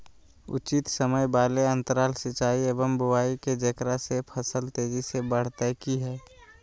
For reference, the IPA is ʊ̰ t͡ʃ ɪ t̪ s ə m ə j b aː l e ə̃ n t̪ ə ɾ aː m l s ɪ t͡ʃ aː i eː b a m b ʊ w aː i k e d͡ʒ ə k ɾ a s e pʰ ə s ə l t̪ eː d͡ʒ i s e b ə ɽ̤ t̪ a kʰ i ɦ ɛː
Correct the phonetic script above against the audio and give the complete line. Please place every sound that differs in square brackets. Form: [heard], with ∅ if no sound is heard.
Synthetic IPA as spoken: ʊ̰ t͡ʃ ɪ t̪ s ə m ə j b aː l e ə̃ n t̪ ə ɾ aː [∅] l s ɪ t͡ʃ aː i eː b [ə] m b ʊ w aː i k e d͡ʒ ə k ɾ a s e pʰ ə s ə l t̪ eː d͡ʒ i s e b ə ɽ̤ t̪ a [k] i ɦ ɛː